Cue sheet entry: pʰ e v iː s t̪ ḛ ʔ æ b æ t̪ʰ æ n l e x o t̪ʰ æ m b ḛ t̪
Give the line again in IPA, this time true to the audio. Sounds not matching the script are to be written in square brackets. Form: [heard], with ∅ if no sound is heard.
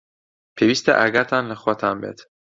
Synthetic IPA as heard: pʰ e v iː s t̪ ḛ ʔ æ [ɡ] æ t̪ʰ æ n l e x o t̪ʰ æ m b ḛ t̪